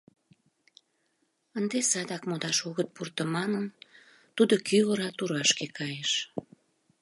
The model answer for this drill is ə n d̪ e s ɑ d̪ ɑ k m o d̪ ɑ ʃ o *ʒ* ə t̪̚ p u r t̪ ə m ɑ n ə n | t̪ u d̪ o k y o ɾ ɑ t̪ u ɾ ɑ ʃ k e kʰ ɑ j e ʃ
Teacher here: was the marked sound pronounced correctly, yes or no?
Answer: no